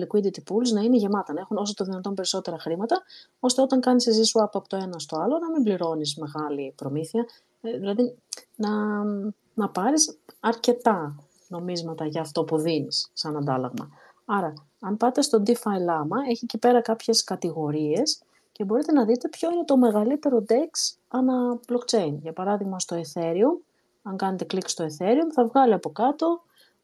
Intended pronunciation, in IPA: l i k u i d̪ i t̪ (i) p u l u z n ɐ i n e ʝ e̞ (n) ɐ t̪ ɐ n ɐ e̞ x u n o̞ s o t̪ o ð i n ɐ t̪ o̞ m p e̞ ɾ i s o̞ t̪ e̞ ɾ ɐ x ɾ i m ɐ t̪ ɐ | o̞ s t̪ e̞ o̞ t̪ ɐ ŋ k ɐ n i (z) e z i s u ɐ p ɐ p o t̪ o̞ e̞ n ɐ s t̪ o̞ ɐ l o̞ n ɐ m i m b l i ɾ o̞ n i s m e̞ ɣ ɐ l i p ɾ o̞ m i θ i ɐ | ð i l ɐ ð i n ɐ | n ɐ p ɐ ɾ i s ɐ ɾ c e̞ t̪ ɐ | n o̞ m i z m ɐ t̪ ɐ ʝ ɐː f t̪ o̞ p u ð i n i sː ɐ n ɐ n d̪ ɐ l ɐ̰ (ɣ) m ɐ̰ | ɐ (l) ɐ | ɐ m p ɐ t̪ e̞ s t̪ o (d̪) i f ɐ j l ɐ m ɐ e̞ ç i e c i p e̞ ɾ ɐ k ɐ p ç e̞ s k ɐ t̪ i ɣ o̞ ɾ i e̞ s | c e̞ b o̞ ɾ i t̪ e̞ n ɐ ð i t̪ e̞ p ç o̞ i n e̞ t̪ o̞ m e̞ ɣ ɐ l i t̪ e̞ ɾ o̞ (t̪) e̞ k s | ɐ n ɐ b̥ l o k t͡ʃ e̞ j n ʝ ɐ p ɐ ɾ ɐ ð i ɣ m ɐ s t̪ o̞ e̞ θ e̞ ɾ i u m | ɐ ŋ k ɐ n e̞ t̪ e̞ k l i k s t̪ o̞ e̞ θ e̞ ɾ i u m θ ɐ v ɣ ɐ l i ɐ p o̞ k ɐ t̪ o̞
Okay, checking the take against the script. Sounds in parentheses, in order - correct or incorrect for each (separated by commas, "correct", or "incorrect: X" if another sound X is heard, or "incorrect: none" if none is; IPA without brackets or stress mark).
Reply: correct, incorrect: m, incorrect: s, correct, incorrect: ɾ, correct, incorrect: d̪